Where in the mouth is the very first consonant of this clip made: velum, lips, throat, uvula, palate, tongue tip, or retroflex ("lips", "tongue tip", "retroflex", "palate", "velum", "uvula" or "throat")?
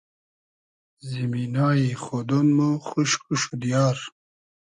tongue tip